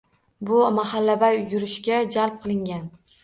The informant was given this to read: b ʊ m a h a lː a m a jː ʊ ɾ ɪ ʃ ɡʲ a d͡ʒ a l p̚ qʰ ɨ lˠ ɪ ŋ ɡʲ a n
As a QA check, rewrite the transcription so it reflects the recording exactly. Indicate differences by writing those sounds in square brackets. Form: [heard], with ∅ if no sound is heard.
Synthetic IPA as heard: b ʊ m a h a lː a [b] a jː ʊ ɾ ɪ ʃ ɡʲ a d͡ʒ a l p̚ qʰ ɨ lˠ ɪ ŋ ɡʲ a n